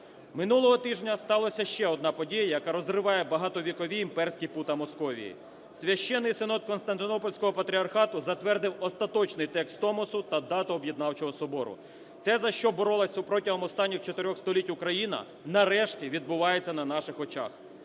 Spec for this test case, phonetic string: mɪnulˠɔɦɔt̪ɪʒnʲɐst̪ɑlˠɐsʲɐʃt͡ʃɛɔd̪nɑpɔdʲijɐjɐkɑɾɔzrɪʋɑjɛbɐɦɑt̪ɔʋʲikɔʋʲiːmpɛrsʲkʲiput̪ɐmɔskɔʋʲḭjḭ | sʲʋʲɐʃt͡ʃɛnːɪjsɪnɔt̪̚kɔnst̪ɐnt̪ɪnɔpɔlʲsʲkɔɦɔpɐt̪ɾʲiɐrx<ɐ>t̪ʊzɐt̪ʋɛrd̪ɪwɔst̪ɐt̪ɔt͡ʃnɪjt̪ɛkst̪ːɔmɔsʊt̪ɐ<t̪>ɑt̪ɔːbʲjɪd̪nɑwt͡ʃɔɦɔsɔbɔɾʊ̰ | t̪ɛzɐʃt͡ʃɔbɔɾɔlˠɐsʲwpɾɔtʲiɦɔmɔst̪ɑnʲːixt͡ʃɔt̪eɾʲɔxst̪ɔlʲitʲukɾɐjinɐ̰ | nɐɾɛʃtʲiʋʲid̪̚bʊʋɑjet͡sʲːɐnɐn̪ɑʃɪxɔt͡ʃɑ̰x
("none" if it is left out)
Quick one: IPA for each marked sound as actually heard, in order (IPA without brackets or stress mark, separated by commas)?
ɑ, d̪